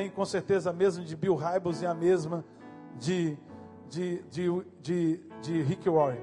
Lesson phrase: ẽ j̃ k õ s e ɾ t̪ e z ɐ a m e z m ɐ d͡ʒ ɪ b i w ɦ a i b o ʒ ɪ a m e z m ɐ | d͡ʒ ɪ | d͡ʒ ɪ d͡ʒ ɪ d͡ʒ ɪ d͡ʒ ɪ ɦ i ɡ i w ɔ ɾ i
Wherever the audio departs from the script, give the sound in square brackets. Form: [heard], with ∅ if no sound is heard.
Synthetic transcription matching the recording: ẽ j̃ k õ s e ɾ t̪ e z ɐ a m e z m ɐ d͡ʒ ɪ b i w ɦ a [j] b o [z] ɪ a m e z m ɐ | d͡ʒ ɪ | d͡ʒ ɪ d͡ʒ ɪ d͡ʒ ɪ d͡ʒ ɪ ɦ i [k] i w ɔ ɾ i